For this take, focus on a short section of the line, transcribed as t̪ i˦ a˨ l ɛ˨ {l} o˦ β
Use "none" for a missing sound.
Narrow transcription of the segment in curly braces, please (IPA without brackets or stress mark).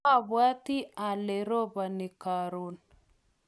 ɾ